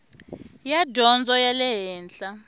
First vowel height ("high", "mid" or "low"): low